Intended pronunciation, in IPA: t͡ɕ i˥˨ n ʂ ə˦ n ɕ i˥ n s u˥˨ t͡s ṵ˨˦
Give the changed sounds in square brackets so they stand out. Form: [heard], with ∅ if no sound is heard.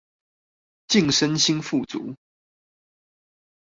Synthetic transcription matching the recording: t͡ɕ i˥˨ [ŋ] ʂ ə˦ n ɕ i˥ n [f] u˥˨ t͡s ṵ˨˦